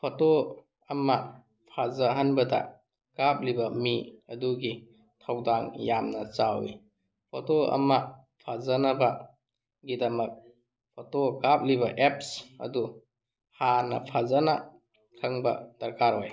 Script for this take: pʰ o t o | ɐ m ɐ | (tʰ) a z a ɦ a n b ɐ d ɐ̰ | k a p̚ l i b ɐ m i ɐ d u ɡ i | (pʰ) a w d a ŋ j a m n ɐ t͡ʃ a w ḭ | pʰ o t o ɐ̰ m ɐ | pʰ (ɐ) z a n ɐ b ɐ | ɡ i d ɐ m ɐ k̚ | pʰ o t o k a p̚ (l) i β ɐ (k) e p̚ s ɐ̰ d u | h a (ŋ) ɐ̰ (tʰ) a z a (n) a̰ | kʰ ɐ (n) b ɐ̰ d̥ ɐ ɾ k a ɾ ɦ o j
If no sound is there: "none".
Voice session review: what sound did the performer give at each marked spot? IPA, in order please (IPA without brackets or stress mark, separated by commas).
pʰ, tʰ, a, l, ʔ, n, pʰ, n, ŋ